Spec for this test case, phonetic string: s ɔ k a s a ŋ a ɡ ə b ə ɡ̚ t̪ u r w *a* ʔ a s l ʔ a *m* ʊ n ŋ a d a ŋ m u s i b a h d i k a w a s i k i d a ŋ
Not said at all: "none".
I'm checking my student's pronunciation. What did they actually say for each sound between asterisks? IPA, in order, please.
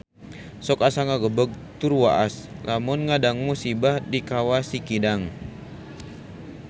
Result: a, m

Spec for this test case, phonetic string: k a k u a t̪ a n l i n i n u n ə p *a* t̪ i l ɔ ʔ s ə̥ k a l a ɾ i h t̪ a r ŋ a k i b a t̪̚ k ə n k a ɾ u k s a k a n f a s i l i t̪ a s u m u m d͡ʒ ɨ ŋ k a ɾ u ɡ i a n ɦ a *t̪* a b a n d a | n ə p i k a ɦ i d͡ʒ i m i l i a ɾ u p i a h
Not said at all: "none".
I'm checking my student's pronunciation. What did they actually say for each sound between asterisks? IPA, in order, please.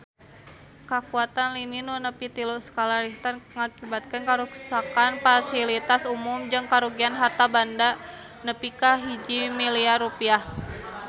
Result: i, t̪

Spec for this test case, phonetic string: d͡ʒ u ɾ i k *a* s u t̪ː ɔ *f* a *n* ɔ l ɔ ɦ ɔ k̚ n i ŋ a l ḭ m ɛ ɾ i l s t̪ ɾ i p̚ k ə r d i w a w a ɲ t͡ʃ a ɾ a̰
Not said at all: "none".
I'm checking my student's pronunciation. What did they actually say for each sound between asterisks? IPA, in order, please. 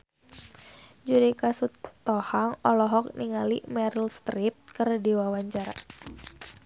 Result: a, h, ŋ

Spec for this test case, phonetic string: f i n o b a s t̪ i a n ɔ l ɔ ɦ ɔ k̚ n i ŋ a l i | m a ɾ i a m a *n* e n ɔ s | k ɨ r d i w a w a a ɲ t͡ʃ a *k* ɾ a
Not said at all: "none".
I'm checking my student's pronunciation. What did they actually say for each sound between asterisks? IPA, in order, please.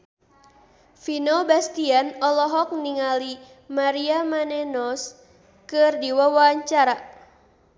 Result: n, none

